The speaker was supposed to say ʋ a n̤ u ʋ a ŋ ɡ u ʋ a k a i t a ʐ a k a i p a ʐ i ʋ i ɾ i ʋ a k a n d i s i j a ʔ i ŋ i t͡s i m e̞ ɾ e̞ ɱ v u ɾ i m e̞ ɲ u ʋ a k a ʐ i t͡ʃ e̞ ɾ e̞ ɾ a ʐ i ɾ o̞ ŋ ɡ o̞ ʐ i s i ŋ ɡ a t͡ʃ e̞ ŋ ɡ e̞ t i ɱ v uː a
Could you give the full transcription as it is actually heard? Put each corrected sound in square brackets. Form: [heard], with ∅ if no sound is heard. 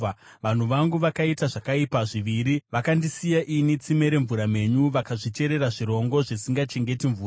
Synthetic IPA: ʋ a n̤ u ʋ a ŋ ɡ u ʋ a k a i t a ʐ a k a i p a ʐ i ʋ i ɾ i ʋ a k a n d i s i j a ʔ i [n] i t͡s i m e̞ ɾ e̞ ɱ v u ɾ [a] m e̞ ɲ u ʋ a k a ʐ i t͡ʃ e̞ ɾ e̞ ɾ a ʐ i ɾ o̞ ŋ ɡ o̞ ʐ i s i ŋ ɡ a t͡ʃ e̞ ŋ ɡ e̞ t i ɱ v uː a